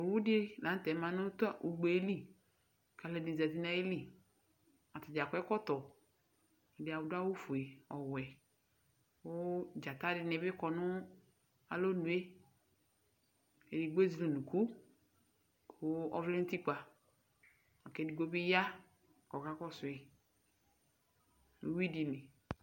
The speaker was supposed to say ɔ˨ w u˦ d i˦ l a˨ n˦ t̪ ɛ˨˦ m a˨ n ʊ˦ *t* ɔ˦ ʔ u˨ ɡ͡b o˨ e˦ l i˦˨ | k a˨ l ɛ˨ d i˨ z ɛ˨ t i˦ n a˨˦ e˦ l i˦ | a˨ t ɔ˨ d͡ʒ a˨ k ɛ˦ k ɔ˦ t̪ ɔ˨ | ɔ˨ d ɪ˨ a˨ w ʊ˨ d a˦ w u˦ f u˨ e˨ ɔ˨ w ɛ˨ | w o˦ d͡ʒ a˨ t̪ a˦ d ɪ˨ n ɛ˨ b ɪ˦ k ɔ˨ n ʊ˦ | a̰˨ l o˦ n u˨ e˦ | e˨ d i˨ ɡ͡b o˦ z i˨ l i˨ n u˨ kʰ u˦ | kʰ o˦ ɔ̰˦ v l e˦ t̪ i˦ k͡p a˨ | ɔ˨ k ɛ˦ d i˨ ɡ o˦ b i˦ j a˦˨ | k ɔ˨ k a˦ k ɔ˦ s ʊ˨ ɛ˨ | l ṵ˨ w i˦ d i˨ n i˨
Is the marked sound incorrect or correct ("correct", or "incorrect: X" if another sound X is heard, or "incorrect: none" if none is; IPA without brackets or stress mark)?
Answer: correct